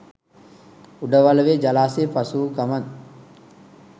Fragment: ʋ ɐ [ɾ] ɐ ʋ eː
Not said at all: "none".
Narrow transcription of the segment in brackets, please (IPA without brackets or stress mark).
l